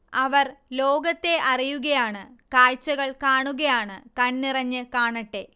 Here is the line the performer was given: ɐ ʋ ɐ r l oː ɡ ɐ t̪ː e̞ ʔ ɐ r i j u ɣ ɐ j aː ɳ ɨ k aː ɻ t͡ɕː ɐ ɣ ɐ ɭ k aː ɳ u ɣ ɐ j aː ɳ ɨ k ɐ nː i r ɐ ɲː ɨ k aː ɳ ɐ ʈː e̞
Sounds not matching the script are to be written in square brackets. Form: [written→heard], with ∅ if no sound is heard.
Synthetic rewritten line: ɐ ʋ ɐ r l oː ɡ ɐ t̪ː e̞ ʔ ɐ r i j u ɣ ɐ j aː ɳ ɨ k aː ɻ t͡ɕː ɐ ɣ ɐ ɭ k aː ɳ u ɣ ɐ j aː ɳ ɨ k ɐ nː i r ɐ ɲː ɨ k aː ɳ ɐ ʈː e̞